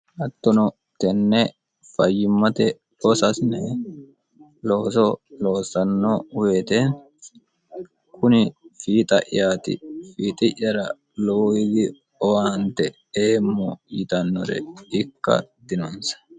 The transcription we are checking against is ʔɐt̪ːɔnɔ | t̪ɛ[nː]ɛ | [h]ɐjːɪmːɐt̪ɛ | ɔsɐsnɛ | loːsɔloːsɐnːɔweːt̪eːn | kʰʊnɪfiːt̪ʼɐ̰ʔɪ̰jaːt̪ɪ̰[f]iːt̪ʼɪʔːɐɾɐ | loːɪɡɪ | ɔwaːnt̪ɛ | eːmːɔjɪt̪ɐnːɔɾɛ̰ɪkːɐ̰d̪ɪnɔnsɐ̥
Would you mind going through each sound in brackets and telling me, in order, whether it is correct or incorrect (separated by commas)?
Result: correct, incorrect, correct